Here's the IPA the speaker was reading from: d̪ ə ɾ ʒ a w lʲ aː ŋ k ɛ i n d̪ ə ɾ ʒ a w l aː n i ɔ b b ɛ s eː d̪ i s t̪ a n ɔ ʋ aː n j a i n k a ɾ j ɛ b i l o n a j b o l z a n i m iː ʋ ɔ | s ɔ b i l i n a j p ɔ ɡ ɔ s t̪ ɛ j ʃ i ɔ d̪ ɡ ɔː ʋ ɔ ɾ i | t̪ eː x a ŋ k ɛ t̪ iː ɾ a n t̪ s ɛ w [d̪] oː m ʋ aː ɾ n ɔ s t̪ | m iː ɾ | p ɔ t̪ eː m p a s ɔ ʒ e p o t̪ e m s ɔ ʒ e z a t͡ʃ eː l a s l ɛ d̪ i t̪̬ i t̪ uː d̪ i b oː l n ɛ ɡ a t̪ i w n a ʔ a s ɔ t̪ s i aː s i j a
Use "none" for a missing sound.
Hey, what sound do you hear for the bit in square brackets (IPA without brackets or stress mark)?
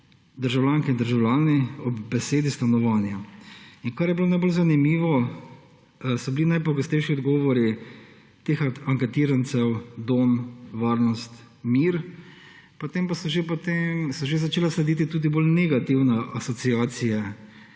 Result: d̪